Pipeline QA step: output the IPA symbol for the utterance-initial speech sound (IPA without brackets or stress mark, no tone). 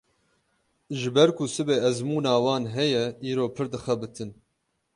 ʒ